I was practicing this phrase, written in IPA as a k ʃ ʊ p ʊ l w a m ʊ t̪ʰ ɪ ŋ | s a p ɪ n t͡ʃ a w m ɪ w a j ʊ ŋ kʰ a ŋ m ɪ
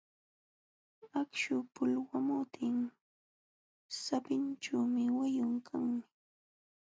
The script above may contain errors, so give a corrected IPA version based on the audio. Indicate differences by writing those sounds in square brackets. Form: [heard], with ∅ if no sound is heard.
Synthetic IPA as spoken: a k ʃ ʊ p ʊ l w a m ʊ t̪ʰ ɪ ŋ | s a p ɪ n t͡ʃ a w m ɪ w a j ʊ ŋ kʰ a ŋ m ɪ